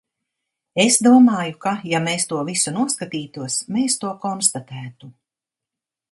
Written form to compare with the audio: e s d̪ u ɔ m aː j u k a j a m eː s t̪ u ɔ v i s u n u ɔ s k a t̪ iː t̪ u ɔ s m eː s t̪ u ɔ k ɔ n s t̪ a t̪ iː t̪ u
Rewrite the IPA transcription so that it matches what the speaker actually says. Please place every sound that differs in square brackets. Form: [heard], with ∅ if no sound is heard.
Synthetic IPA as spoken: e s d̪ u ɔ m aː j u k a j a m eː s t̪ u ɔ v i s u n u ɔ s k a t̪ iː t̪ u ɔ s m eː s t̪ u ɔ k ɔ n s t̪ a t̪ [æː] t̪ u